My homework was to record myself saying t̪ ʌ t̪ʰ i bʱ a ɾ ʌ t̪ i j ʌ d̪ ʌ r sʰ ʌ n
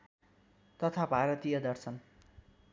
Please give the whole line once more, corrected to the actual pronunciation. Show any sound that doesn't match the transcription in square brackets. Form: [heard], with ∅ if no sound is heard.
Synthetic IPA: t̪ ʌ t̪ʰ [a] bʱ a ɾ ʌ t̪ i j ʌ d̪ ʌ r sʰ ʌ n

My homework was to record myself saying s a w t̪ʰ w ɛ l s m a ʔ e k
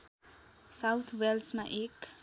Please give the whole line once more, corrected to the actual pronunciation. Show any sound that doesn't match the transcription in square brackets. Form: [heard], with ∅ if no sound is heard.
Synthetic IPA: s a w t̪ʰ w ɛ l s m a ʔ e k

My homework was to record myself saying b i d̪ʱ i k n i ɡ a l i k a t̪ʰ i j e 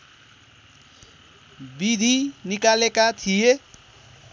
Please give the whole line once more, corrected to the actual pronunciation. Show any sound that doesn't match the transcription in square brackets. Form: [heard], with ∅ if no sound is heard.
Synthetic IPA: b i d̪ʱ i [∅] n i [k] a l [e] k a t̪ʰ i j e

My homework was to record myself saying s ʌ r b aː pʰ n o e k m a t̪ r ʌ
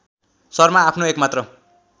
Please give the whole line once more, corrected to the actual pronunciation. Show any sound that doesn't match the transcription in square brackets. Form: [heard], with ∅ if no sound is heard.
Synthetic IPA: s ʌ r [m] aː pʰ n o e k m a t̪ r ʌ

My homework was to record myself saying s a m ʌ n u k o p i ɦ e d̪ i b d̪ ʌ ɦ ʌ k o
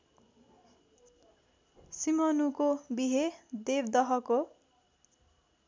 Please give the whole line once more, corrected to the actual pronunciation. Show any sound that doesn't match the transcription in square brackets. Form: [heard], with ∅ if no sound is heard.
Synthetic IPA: s [i] m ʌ n u k o [b] i ɦ e d̪ [e] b d̪ ʌ ɦ ʌ k o

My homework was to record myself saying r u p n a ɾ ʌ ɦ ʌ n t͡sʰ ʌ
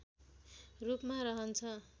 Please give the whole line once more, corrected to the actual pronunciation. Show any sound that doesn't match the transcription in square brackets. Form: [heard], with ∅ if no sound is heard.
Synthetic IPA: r u p [m] a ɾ ʌ ɦ ʌ n t͡sʰ ʌ

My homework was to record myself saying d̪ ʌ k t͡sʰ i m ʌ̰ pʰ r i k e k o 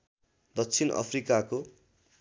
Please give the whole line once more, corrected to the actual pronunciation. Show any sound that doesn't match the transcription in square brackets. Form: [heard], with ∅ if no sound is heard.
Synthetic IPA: d̪ ʌ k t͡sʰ i [n] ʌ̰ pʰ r i k [a] k o

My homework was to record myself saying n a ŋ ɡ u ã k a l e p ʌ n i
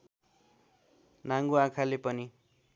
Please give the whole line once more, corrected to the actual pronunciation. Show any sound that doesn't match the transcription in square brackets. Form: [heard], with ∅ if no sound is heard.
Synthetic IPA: n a ŋ ɡ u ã [kʰ] a l e p ʌ n i

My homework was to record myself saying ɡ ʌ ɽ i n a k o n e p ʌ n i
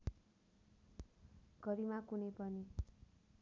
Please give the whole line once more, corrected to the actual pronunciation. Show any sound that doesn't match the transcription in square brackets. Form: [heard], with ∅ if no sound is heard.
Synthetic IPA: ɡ ʌ [ɾ] i [m] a k [u] n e p ʌ n i

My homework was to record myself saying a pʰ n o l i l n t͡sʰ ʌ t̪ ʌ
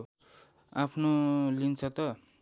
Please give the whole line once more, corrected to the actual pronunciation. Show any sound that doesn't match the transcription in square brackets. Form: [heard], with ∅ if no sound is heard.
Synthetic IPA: a pʰ n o l i [∅] n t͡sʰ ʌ t̪ ʌ

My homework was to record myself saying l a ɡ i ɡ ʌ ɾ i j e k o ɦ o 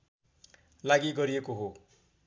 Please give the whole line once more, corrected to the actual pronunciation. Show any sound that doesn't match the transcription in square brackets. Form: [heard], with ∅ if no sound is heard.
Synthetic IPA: l a ɡ i ɡ ʌ ɾ i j e k o ɦ o

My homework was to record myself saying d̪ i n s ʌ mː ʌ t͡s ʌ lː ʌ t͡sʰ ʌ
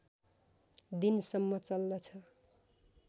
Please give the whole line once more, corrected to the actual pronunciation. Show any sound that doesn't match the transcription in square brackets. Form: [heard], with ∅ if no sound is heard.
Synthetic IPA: d̪ i n s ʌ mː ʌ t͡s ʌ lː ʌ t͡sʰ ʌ

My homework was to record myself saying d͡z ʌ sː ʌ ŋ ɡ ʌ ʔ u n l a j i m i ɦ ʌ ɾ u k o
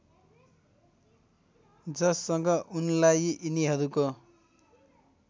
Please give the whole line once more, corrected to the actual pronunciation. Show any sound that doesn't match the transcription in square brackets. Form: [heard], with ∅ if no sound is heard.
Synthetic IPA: d͡z ʌ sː ʌ ŋ ɡ ʌ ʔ u n l a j i [n] i ɦ ʌ ɾ u k o

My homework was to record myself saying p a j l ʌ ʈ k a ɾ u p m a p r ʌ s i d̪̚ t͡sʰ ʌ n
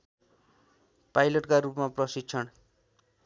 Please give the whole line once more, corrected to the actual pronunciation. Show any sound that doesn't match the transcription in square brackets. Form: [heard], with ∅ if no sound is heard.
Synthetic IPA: p a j l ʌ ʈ k a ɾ u p m a p r ʌ s i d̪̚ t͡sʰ ʌ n

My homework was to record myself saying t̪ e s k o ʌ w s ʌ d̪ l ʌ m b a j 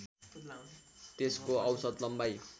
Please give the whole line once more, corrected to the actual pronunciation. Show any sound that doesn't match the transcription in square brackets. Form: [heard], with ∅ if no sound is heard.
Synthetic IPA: t̪ e s k o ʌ w s ʌ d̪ l ʌ m b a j

